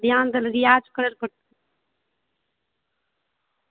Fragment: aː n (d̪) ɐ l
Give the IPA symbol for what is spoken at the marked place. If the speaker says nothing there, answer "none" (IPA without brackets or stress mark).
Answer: d̪